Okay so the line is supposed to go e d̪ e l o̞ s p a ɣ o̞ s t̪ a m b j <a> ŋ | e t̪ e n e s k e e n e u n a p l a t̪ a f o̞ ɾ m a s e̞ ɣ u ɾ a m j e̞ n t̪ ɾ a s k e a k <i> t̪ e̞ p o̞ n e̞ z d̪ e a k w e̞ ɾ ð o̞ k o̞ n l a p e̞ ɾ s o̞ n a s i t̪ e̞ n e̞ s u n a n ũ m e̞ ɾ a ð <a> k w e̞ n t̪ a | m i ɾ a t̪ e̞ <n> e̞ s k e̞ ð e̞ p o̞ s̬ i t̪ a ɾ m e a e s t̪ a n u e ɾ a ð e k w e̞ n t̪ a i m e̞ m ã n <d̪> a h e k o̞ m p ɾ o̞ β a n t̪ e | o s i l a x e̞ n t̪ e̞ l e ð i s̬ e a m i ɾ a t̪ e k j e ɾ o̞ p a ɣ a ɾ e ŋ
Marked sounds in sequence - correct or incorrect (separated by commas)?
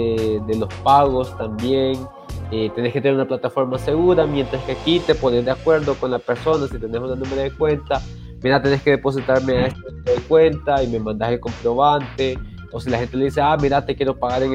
incorrect, correct, incorrect, correct, correct